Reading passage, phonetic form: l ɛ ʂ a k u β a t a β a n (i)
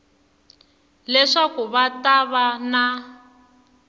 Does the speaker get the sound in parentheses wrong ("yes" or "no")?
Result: yes